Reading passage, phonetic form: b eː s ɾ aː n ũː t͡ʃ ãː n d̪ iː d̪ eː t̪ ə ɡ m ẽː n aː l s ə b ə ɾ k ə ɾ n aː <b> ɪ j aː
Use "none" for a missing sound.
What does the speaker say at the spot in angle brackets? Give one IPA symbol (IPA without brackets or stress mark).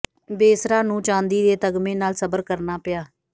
p